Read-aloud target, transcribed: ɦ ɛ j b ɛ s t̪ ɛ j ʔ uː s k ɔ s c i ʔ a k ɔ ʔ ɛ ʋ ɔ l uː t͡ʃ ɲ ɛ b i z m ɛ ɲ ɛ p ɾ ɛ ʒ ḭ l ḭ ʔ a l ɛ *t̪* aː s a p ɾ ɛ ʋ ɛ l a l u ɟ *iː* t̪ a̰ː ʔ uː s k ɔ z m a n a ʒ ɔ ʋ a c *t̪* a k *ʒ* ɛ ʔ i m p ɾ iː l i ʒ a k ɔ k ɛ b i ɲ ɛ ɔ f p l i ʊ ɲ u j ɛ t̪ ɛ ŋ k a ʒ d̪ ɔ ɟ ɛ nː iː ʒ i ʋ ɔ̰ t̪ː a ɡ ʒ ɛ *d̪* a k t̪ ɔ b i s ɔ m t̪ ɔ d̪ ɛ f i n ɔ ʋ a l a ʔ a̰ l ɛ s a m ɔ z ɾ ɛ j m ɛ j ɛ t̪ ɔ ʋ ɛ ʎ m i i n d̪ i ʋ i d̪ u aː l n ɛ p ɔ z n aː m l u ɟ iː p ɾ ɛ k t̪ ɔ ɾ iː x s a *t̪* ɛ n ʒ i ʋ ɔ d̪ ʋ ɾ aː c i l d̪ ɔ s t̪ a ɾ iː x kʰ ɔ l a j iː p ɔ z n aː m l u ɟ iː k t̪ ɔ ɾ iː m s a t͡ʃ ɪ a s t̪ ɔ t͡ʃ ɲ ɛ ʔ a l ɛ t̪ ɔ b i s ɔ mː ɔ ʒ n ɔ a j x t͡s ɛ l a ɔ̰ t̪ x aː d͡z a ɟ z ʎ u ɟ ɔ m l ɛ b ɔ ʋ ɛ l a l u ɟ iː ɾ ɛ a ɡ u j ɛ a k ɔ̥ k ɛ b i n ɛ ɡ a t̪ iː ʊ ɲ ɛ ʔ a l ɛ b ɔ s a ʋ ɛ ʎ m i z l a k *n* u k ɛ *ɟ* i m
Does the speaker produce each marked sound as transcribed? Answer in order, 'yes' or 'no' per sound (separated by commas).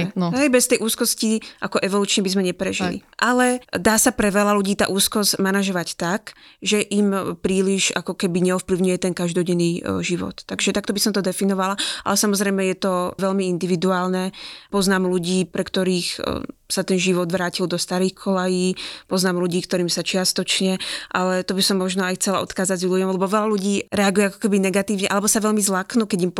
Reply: no, yes, yes, yes, no, yes, yes, yes